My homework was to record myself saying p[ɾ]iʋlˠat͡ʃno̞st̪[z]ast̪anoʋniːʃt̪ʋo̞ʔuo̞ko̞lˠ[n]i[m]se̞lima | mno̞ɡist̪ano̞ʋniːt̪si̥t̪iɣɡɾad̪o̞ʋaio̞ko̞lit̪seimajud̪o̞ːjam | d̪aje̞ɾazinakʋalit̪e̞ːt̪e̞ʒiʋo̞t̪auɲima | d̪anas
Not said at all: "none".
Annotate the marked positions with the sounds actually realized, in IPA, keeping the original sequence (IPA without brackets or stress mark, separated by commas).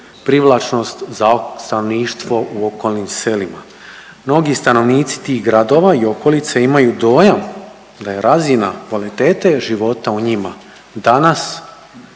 ɾ, z, n, m